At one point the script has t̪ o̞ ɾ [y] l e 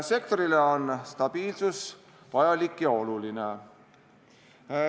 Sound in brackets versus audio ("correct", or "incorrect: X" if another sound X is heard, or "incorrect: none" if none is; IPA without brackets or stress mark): incorrect: i